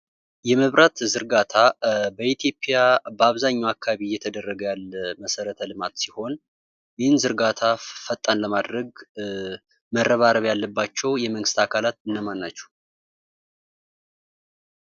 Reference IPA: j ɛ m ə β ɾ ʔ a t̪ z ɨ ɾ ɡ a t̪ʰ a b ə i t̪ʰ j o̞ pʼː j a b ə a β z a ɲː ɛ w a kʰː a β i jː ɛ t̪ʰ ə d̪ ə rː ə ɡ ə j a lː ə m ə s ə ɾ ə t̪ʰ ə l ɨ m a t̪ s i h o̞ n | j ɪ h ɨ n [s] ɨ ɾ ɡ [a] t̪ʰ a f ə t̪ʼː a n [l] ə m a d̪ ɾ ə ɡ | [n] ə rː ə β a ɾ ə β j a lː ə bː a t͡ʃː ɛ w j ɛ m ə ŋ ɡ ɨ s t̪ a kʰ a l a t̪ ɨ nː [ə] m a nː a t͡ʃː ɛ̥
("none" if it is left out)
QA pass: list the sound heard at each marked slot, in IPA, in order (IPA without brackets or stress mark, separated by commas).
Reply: z, a, l, m, ə